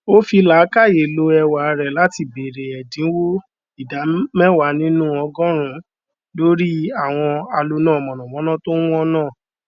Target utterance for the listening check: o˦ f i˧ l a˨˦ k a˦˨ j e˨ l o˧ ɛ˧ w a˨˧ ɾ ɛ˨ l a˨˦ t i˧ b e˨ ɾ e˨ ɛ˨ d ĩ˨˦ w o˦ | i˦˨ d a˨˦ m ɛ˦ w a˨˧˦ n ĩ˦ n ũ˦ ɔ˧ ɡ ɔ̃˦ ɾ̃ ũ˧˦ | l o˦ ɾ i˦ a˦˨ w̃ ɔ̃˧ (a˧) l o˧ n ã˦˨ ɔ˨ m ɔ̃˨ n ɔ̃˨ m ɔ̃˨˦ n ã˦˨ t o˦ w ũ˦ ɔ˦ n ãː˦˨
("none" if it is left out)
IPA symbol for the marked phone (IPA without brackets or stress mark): a˧